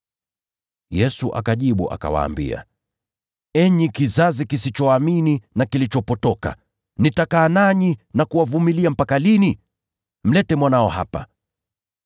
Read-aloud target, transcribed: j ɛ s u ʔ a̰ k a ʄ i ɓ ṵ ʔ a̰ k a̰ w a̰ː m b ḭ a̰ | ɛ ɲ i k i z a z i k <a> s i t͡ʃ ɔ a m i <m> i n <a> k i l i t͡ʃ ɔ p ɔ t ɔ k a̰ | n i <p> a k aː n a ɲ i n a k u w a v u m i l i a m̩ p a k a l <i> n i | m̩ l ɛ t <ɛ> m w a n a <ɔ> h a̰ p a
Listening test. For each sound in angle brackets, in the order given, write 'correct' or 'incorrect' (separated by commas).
incorrect, incorrect, correct, incorrect, correct, correct, correct